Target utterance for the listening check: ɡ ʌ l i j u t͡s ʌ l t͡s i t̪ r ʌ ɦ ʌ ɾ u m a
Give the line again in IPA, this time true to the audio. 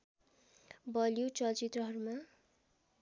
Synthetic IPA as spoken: b ʌ l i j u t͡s ʌ l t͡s i t̪ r ʌ ɦ ʌ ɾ u m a